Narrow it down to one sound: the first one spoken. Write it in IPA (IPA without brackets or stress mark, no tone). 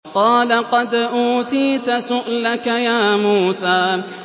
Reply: q